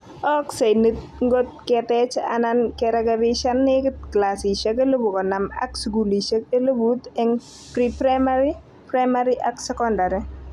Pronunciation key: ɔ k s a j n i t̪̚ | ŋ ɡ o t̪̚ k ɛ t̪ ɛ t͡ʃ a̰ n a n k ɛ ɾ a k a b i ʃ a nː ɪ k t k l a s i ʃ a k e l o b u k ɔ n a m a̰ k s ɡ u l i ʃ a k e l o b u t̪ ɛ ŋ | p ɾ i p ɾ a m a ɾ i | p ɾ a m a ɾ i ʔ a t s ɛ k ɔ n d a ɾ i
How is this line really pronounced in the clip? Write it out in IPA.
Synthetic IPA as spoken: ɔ k s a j n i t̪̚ | ŋ ɡ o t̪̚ k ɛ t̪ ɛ t͡ʃ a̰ n a n k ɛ ɾ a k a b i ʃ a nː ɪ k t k l a s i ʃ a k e l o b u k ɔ n a m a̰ k s ɡ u l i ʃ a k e l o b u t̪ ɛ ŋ | p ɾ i p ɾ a m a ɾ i | p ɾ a m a ɾ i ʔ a k s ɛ k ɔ n d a ɾ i